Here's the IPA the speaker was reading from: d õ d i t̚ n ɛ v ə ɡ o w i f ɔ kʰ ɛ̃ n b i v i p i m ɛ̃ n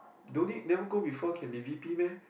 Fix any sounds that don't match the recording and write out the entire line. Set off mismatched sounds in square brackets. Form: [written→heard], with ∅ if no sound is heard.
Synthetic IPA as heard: d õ [d→n] i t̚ n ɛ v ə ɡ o [w→b] i f ɔ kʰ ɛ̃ n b i v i p i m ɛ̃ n